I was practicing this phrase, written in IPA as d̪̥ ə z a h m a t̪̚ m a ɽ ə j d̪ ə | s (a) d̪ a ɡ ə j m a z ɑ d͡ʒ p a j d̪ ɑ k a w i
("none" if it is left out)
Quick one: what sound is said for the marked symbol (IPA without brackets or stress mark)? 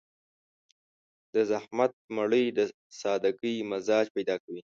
ɑ